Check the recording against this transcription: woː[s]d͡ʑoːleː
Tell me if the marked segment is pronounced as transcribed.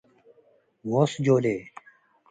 yes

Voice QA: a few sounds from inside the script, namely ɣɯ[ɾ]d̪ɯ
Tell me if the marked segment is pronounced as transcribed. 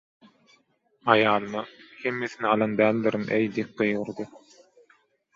yes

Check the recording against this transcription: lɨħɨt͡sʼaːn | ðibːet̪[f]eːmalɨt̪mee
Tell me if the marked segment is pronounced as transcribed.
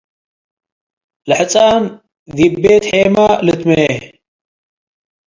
no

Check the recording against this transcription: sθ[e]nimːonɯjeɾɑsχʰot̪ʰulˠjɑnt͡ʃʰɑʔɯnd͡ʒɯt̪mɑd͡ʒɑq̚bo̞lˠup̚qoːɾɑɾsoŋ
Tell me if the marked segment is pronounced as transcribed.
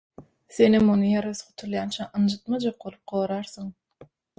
yes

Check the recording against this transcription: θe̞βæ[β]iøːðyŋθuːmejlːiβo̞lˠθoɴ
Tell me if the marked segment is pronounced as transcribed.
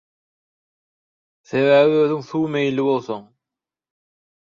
yes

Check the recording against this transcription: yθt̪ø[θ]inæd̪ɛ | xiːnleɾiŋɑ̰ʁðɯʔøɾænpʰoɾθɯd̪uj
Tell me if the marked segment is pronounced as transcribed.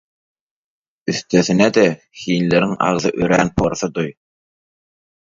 yes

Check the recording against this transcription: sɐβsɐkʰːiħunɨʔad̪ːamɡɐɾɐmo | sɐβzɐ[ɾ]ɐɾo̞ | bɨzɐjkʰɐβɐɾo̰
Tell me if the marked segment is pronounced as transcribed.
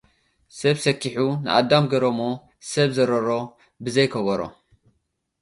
yes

